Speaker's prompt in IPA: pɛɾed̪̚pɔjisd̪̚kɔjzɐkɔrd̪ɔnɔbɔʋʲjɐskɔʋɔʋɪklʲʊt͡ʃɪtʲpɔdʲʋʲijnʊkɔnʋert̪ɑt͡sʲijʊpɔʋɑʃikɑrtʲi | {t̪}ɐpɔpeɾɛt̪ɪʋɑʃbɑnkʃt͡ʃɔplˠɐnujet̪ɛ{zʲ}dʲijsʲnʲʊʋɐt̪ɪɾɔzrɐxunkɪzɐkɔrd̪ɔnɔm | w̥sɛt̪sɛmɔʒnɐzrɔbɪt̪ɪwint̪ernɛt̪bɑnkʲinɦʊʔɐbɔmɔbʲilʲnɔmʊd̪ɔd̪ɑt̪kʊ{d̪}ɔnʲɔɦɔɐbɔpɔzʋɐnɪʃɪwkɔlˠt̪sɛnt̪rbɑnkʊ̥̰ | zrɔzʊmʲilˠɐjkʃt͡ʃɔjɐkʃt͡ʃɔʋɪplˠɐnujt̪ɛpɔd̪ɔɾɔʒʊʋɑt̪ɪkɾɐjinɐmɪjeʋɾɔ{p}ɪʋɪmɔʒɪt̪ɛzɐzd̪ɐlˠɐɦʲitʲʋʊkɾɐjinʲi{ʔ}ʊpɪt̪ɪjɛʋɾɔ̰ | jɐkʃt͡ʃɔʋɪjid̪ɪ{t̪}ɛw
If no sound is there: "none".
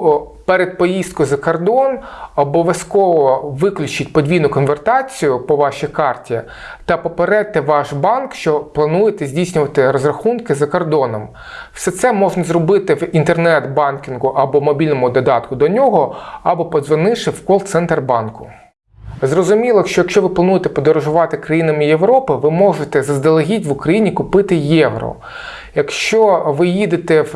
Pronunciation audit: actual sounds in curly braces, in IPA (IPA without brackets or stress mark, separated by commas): t̪, zʲ, d̪, p, k, t̪